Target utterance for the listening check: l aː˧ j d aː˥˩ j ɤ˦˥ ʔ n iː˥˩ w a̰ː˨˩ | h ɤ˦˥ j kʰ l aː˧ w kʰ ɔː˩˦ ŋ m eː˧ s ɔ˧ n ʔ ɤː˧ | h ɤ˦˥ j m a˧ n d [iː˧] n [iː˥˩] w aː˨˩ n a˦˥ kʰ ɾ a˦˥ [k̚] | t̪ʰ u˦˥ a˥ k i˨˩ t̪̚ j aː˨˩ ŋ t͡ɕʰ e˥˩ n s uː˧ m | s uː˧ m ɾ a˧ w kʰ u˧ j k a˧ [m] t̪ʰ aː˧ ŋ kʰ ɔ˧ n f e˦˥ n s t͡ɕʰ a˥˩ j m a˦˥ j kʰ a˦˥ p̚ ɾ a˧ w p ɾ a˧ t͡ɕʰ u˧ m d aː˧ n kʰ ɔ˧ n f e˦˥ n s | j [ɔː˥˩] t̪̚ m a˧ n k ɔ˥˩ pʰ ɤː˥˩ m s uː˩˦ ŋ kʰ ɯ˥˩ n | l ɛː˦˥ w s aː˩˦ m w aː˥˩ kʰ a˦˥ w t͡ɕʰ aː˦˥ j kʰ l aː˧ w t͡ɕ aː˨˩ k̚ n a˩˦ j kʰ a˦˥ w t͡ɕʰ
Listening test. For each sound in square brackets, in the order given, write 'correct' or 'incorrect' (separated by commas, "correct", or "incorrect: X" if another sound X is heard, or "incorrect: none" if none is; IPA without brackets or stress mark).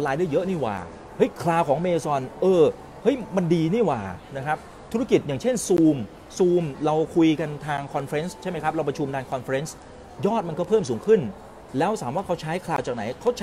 correct, correct, incorrect: p̚, incorrect: n, correct